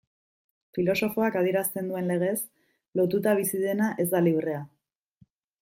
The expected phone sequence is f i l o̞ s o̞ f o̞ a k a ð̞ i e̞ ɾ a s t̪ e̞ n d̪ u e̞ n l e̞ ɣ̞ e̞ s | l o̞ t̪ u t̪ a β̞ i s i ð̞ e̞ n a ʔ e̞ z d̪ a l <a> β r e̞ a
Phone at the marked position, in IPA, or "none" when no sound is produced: i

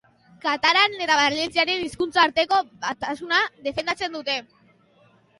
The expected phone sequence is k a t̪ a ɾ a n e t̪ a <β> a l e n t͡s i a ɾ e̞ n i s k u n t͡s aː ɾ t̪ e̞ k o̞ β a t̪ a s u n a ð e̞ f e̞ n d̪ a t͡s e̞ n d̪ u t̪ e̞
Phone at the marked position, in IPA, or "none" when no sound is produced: β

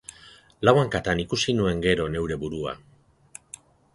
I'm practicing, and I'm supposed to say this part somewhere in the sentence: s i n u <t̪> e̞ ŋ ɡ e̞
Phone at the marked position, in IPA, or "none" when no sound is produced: none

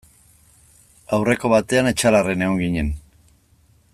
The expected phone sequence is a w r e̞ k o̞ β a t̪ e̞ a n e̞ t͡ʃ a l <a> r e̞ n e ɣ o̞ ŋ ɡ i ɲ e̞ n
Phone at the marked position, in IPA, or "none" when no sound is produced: a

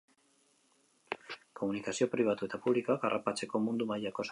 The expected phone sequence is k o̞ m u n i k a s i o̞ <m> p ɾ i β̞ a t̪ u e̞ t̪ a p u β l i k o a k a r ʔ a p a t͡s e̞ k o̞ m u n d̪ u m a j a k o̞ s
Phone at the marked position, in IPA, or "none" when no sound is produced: none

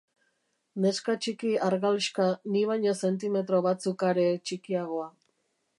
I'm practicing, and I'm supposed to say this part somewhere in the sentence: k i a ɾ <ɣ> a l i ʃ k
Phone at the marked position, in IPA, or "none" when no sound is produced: ɣ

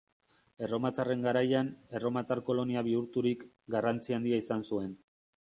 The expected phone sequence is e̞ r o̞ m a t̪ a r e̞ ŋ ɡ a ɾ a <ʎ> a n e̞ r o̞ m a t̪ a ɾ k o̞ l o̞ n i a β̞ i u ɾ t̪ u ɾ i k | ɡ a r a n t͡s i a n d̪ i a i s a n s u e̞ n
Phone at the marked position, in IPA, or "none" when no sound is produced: j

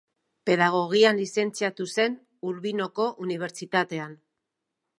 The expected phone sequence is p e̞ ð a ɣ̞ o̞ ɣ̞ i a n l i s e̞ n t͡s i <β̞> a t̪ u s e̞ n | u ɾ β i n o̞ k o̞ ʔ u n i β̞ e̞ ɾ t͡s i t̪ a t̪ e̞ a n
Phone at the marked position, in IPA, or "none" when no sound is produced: none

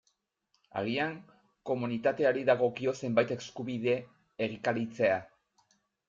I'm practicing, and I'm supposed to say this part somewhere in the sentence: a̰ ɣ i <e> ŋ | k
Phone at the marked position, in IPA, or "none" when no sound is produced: a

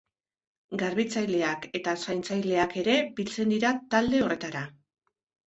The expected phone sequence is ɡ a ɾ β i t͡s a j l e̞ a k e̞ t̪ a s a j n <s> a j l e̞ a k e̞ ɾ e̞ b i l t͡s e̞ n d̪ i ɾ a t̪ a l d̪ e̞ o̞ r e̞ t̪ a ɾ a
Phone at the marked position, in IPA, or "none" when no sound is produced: t͡s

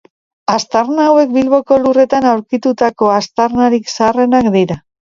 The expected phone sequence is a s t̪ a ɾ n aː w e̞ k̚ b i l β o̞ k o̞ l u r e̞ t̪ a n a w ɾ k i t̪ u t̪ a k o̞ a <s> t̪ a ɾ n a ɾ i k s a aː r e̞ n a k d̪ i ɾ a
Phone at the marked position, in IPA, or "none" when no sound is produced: s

